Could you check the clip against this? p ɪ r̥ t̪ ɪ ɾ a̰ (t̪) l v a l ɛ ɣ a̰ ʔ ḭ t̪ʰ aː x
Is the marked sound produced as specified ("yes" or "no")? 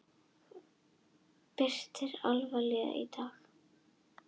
no